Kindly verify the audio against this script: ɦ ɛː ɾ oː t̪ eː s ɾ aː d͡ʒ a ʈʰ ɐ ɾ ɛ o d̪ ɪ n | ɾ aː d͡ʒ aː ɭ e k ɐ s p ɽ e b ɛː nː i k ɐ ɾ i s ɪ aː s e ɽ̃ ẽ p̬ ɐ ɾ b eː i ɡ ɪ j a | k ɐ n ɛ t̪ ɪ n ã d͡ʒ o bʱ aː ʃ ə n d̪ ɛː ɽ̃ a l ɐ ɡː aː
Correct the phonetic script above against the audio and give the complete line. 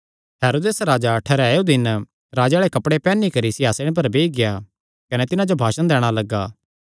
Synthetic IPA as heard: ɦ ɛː ɾ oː d̪ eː s ɾ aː d͡ʒ a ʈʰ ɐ ɾ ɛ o d̪ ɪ n | ɾ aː d͡ʒ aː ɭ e k ɐ p ɽ e p ɛː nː i k ɐ ɾ i s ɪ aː s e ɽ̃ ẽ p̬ ɐ ɾ b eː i ɡ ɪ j a | k ɐ n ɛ t̪ ɪ n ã d͡ʒ o bʱ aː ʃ ə n d̪ ɛː ɽ̃ a l ɐ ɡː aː

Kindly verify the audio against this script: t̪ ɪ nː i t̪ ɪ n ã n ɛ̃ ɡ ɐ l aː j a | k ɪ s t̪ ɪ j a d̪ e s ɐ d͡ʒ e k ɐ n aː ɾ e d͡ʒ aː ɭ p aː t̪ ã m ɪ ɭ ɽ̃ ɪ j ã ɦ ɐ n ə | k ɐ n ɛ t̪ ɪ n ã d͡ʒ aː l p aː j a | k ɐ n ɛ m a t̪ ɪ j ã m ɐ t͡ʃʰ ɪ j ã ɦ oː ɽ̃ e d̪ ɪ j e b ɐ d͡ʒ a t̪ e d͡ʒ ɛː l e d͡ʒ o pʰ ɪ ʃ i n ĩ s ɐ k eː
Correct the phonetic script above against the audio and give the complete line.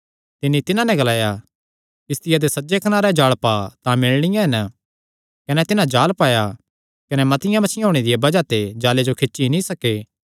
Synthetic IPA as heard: t̪ ɪ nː i t̪ ɪ n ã n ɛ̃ ɡ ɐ l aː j a | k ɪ s t̪ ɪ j a d̪ e s ɐ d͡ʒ e k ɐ n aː ɾ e d͡ʒ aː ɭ p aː t̪ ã m ɪ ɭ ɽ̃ ɪ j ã ɦ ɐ n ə | k ɐ n ɛ t̪ ɪ n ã d͡ʒ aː l p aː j a | k ɐ n ɛ m ɐ t̪ ɪ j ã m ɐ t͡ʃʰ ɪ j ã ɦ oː ɽ̃ e d̪ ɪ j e b ɐ d͡ʒ a t̪ e d͡ʒ aː l e d͡ʒ o kʰ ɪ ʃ i n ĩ s ɐ k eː

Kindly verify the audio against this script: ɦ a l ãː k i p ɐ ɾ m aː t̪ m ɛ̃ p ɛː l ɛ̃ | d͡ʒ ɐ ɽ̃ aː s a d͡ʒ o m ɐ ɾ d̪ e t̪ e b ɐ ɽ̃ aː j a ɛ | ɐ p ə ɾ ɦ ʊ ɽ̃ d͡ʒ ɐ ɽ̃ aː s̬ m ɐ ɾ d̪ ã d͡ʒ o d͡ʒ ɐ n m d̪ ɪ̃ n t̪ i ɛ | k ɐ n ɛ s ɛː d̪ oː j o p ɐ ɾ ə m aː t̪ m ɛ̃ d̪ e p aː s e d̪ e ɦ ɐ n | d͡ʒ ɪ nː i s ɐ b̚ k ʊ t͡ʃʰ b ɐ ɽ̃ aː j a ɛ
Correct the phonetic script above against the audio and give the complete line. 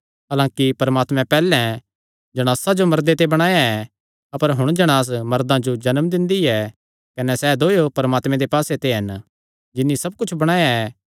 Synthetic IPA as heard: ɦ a l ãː k i p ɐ ɾ m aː t̪ m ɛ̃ p ɛː l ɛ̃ | d͡ʒ ɐ ɽ̃ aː s a d͡ʒ o m ɐ ɾ d̪ e t̪ e b ɐ ɽ̃ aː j a ɛ | ɐ p ə ɾ ɦ ʊ ɽ̃ d͡ʒ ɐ ɽ̃ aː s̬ m ɐ ɾ d̪ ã d͡ʒ o d͡ʒ ɐ n m d̪ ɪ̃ n d̪ i ɛ | k ɐ n ɛ s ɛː d̪ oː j o p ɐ ɾ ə m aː t̪ m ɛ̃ d̪ e p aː s e t̪ e ɦ ɐ n | d͡ʒ ɪ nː i s ɐ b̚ k ʊ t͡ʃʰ b ɐ ɽ̃ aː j a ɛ

